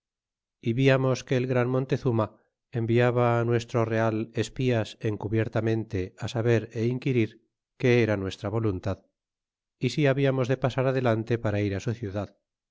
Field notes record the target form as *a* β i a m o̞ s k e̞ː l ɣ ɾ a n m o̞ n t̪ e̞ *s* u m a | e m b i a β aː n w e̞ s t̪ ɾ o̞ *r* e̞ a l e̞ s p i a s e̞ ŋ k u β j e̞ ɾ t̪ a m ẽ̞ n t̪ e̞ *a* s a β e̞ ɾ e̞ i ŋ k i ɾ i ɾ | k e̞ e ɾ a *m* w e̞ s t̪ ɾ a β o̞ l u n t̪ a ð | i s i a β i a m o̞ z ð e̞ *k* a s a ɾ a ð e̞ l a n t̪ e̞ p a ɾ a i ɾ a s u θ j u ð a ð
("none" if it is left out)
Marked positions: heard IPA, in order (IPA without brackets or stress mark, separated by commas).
i, θ, r, a, n, p